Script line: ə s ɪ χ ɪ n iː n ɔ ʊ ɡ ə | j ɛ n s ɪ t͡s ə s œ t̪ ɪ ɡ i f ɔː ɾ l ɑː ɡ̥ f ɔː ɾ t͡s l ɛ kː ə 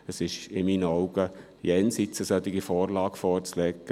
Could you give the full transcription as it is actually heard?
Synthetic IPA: ə s ɪ ʃ ɪ m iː n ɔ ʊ ɡ ə | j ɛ n s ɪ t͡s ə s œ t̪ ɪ ɡ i f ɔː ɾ l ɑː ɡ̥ f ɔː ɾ t͡s l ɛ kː ə

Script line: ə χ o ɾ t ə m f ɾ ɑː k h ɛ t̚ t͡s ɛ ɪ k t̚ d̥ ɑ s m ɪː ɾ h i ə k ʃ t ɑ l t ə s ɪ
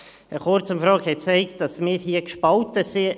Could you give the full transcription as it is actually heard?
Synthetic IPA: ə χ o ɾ t͡s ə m f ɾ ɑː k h ɛ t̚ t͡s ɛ ɪ k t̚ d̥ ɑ s m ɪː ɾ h i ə k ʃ p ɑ l t ə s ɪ

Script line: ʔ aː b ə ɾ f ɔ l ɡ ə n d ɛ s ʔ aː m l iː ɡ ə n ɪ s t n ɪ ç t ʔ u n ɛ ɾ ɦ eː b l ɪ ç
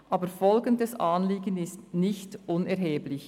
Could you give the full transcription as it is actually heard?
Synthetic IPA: ʔ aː b ə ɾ f ɔ l ɡ ə n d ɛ s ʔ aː n l iː ɡ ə n ɪ s t n ɪ ç t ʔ ʊ n ɛ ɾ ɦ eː b l ɪ ç

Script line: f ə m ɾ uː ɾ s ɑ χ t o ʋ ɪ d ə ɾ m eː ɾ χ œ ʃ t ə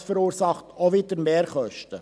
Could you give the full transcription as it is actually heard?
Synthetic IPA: f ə ɾ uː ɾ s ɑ χ t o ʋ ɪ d ə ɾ m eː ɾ χ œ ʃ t ə

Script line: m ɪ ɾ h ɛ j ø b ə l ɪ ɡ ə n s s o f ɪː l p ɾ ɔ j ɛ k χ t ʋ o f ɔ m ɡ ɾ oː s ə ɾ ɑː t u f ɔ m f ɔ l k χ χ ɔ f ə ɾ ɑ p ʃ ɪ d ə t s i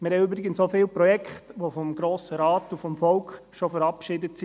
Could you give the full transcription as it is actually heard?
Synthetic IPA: m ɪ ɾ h ɛ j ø b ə ɾ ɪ ɡ ə n s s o f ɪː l p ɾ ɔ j ɛ k χ t ʋ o f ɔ m ɡ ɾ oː s ə ɾ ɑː t u f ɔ m f ɔ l k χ ʃ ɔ f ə ɾ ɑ p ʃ ɪ d ə t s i

